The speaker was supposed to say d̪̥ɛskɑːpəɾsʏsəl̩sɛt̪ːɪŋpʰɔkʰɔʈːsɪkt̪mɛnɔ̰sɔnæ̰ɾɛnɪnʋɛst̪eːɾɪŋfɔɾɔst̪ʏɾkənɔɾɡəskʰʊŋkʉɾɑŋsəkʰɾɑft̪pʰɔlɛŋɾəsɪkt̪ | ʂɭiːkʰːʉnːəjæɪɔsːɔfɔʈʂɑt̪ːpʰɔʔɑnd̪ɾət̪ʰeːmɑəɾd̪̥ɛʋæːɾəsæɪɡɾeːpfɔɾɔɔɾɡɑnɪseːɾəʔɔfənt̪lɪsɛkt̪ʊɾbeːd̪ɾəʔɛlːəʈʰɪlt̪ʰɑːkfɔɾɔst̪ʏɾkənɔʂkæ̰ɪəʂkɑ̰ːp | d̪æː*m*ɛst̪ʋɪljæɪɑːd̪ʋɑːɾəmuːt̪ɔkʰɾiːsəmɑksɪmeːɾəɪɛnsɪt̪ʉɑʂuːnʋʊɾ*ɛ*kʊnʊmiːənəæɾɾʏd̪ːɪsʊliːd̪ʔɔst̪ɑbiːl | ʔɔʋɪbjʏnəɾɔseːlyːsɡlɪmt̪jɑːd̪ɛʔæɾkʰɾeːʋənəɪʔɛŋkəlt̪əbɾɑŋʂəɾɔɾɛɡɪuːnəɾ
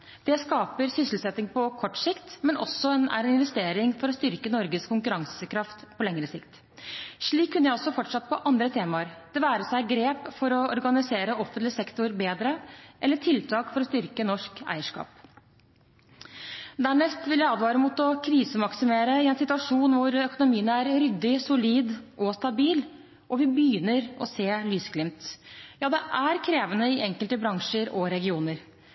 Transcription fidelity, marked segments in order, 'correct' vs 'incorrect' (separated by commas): incorrect, incorrect